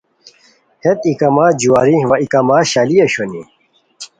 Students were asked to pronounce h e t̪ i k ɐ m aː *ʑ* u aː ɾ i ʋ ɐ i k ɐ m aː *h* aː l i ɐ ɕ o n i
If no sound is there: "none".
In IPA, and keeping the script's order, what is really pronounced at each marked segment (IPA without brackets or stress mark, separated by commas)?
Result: d͡ʑ, ɕ